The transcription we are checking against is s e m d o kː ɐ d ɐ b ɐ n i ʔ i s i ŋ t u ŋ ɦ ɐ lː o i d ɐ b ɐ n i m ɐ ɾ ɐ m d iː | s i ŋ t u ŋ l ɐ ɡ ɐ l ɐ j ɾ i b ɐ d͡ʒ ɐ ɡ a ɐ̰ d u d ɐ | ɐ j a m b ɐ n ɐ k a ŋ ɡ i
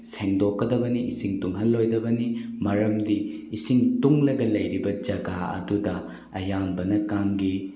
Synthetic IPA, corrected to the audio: s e ŋ d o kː ɐ d ɐ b ɐ n i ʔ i s i ŋ t u ŋ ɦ ɐ lː o j d ɐ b ɐ n i m ɐ ɾ ɐ m d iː | s i ŋ t u ŋ l ɐ ɡ ɐ l ɐ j ɾ i b ɐ d͡ʒ ɐ ɡ a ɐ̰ d u d ɐ | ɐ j a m b ɐ n ɐ k a ŋ ɡ i